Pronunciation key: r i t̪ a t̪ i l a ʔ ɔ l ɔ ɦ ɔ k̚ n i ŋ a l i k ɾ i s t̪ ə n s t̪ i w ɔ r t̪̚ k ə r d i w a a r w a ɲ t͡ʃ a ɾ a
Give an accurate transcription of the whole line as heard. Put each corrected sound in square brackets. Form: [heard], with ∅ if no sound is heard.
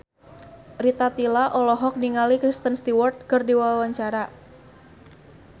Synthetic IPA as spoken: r i t̪ a t̪ i l a ʔ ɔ l ɔ ɦ ɔ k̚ n i ŋ a l i k ɾ i s t̪ ə n s t̪ i w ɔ r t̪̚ k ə r d i w a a [∅] w a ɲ t͡ʃ a ɾ a